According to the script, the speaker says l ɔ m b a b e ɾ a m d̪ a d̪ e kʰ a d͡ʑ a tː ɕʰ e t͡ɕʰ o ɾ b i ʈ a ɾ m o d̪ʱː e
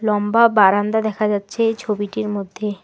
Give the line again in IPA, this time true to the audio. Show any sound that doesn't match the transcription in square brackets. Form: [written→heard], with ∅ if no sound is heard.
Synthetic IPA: l ɔ m b a b [e→a] ɾ a [m→n] d̪ a d̪ [e→ɛ] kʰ a d͡ʑ a tː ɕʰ e t͡ɕʰ o [ɾ→∅] b i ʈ [a→i] ɾ m o d̪ʱː e